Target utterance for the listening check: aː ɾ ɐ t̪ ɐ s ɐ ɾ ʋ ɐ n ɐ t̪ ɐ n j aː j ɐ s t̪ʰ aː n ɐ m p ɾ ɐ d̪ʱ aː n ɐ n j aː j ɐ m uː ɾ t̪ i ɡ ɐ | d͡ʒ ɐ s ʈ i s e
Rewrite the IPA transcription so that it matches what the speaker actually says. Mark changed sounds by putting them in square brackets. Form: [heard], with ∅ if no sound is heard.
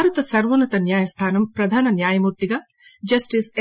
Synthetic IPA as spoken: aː ɾ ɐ t̪ ɐ s ɐ ɾ ʋ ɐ n ɐ t̪ ɐ n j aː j ɐ s t̪ʰ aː n ɐ m p ɾ ɐ d̪ʱ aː n ɐ n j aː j ɐ m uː ɾ t̪ i ɡ ɐ | d͡ʒ ɐ s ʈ i s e